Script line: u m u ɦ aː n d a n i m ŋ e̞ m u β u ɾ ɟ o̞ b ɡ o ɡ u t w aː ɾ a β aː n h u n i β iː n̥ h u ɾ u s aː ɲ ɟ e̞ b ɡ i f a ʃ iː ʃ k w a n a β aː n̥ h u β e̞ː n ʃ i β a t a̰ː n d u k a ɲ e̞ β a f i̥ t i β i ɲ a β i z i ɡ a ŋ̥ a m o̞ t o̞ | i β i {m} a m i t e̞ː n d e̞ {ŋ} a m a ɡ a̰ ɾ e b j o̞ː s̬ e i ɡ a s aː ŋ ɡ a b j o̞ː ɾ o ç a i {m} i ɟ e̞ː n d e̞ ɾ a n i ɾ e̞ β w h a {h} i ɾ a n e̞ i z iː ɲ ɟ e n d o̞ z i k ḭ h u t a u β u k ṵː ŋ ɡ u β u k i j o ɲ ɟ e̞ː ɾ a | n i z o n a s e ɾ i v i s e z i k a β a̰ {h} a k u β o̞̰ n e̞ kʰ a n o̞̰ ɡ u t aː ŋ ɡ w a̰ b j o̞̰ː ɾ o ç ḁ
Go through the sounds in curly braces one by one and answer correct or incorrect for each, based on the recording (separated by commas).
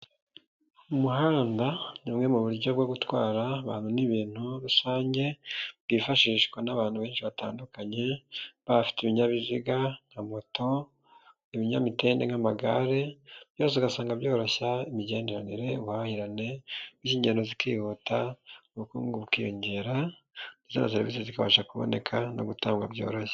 incorrect, correct, correct, correct, incorrect